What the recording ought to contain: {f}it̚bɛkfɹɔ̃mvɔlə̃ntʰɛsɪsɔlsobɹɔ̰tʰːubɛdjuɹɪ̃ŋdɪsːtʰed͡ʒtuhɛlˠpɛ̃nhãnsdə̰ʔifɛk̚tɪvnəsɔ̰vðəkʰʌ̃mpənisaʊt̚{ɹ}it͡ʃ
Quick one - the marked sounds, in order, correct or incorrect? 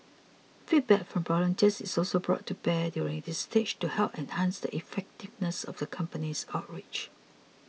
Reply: correct, correct

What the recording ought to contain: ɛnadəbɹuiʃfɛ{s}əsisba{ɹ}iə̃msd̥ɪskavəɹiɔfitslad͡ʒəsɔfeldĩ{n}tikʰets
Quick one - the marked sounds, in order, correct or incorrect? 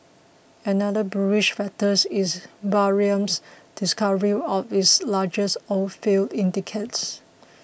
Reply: incorrect: t, correct, correct

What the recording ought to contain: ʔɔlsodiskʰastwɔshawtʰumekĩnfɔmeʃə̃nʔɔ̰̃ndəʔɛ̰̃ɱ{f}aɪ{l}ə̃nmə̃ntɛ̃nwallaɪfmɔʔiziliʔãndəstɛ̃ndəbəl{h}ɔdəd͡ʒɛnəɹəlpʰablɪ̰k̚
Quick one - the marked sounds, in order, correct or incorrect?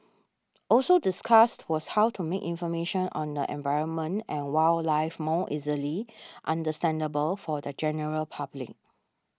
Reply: incorrect: v, incorrect: ɹ, incorrect: f

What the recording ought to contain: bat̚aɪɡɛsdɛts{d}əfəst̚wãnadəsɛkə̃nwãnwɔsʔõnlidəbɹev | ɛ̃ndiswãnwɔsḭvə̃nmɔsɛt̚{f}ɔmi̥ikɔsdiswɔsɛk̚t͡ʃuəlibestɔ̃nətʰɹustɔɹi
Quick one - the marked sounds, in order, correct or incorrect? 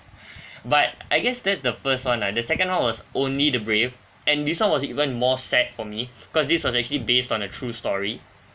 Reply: correct, correct

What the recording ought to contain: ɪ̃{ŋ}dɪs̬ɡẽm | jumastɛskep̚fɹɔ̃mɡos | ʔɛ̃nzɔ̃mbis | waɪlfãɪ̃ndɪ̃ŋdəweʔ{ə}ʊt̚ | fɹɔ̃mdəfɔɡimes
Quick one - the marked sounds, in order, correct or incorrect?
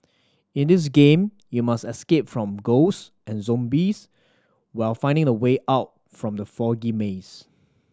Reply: incorrect: n, incorrect: a

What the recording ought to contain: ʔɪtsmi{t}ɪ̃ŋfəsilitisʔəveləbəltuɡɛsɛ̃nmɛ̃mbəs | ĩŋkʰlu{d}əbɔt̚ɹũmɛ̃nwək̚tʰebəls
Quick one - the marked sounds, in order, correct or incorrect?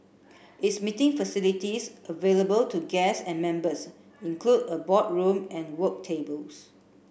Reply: correct, correct

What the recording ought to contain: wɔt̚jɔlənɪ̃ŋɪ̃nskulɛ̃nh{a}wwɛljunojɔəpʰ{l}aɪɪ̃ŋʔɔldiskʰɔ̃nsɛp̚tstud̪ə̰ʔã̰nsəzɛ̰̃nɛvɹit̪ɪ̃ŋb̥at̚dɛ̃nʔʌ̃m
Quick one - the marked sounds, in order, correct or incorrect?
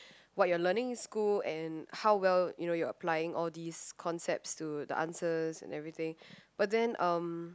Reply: correct, correct

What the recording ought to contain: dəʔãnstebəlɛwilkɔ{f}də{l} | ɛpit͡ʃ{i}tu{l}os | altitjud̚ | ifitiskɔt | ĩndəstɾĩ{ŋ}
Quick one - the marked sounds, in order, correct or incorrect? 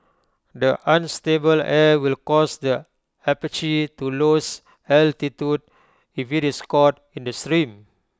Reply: incorrect: s, incorrect: none, correct, correct, incorrect: m

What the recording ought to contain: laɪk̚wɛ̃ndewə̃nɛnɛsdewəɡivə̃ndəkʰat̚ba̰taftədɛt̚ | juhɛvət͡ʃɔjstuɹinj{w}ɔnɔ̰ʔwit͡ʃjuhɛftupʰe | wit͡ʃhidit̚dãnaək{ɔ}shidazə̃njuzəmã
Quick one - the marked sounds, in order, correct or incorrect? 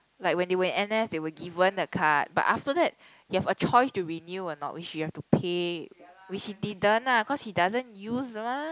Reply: incorrect: u, correct

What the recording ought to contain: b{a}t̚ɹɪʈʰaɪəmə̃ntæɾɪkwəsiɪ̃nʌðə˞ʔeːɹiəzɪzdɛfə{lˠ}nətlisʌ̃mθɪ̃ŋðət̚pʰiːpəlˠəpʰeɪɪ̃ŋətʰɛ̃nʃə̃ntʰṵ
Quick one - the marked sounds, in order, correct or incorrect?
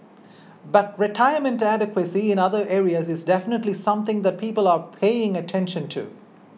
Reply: incorrect: ʌ, incorrect: none

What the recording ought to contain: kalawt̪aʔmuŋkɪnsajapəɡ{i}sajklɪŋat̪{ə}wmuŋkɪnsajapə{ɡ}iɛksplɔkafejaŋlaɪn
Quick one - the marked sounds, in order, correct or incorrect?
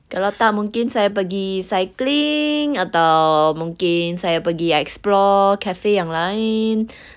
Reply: correct, incorrect: a, correct

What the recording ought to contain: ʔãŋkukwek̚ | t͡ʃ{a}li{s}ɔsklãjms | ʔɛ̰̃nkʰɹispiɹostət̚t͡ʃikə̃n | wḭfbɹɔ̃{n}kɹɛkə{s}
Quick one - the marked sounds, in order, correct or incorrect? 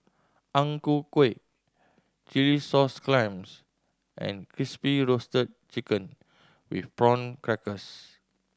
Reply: incorrect: i, correct, correct, correct

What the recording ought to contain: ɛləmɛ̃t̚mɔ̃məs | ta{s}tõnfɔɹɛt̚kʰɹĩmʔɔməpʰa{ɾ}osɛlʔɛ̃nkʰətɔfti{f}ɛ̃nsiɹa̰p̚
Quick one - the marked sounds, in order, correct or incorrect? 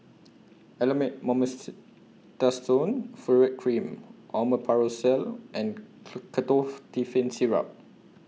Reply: correct, incorrect: ɹ, correct

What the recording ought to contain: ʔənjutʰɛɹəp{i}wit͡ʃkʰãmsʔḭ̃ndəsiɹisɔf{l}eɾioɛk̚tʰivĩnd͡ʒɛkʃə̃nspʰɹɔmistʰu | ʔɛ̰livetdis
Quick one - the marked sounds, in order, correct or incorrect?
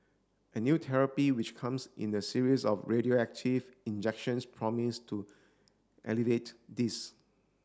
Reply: correct, incorrect: ɹ

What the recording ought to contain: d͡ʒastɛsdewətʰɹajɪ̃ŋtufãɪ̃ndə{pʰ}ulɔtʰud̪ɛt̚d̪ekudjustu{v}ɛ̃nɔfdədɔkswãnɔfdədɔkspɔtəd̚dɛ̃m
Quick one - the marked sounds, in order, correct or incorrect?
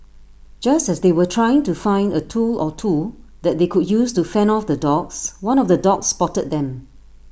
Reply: incorrect: tʰ, incorrect: f

